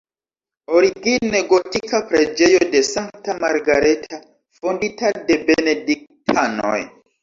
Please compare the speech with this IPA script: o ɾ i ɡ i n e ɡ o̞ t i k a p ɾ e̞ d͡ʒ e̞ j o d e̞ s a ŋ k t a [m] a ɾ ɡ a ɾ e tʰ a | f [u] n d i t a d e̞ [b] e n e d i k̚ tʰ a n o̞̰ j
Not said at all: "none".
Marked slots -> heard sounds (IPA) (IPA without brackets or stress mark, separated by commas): m, o, b